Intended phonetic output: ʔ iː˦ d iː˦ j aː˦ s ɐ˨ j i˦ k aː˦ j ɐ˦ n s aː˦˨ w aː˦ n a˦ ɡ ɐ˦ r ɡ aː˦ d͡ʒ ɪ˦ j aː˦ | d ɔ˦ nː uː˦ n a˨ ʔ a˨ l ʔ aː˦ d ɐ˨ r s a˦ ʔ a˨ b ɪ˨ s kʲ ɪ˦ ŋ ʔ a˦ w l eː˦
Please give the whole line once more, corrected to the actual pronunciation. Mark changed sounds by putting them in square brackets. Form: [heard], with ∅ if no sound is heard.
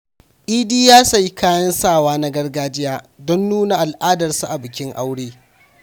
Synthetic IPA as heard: ʔ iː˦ d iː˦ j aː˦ s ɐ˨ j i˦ k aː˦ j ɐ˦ n s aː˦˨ w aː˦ n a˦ ɡ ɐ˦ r ɡ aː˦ d͡ʒ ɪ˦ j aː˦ | d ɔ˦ nː uː˦ n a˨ ʔ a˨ l ʔ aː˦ d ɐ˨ r s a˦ ʔ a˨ b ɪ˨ [∅] kʲ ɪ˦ ŋ ʔ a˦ w [ɽ] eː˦